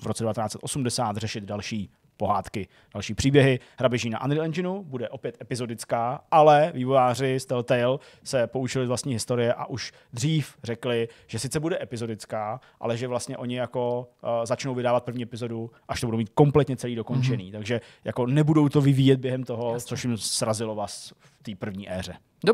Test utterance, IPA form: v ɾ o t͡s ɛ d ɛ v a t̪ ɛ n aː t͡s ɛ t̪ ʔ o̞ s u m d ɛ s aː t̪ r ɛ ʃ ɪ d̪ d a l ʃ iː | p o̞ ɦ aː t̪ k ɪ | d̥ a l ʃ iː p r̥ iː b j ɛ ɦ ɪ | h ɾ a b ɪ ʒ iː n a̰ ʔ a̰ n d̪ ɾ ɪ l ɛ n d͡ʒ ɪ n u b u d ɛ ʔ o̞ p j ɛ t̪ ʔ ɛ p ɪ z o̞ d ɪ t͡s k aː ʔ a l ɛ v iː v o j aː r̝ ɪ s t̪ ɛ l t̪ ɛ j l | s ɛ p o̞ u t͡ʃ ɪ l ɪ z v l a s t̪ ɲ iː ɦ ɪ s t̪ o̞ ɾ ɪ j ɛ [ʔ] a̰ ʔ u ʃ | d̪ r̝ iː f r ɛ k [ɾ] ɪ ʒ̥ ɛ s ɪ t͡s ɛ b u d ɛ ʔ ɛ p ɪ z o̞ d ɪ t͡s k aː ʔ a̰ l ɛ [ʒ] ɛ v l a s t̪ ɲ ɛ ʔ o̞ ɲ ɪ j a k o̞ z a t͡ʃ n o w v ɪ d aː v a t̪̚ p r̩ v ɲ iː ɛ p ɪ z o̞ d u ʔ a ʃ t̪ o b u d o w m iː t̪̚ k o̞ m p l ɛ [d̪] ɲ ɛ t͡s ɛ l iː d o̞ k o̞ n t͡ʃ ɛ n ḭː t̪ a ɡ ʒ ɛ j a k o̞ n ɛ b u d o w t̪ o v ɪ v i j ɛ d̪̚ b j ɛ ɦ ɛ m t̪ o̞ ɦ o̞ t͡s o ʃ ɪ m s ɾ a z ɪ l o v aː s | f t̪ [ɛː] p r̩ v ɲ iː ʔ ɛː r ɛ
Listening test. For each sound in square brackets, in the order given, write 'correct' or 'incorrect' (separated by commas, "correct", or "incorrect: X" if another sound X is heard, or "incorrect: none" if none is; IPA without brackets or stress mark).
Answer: correct, incorrect: l, correct, incorrect: t̪, incorrect: iː